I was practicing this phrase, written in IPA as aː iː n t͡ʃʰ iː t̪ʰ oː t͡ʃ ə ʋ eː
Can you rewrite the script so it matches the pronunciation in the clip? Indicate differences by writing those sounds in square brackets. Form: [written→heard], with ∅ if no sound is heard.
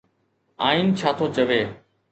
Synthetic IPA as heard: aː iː n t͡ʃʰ [iː→aː] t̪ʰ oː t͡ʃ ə ʋ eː